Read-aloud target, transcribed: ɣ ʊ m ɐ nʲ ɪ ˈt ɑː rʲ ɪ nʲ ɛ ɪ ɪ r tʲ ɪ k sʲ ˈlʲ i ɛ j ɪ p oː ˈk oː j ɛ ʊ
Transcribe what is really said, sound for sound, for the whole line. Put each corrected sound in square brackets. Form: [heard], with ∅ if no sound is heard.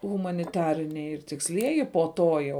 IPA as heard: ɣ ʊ m ɐ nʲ ɪ ˈt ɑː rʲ ɪ nʲ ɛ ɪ ɪ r tʲ ɪ k sʲ ˈlʲ i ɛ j ɪ p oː [ˈt] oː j ɛ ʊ